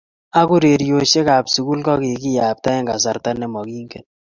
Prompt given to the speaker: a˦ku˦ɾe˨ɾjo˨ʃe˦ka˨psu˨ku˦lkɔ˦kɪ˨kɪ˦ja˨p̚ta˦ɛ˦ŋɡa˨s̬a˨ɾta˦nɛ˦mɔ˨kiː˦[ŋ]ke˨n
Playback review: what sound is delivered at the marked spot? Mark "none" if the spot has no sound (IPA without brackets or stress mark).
ŋ